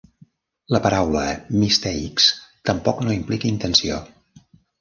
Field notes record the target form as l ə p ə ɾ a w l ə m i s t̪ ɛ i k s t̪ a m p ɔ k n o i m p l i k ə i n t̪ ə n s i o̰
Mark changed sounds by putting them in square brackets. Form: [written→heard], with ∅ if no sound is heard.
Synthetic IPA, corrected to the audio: l ə p ə ɾ a w l ə m i s t̪ ɛ i k s t̪ [a→ə] m p ɔ k n o i m p l i k ə i n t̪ ə n s i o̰